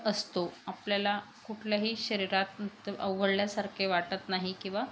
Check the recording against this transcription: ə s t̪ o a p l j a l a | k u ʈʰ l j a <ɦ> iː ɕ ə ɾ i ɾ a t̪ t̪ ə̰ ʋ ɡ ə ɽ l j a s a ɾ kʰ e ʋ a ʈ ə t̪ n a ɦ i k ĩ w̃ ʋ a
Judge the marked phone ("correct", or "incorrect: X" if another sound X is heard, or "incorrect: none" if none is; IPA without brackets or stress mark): correct